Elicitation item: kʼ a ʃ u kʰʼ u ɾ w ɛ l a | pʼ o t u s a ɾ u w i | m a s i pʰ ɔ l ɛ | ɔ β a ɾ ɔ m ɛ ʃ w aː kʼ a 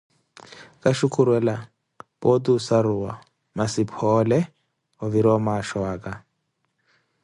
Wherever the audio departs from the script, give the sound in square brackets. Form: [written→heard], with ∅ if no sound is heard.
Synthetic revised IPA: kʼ a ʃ u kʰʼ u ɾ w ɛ l a | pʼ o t u s a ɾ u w [i→a] | m a s i pʰ ɔ l ɛ | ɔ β [a→i] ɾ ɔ m [ɛ→a] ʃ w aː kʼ a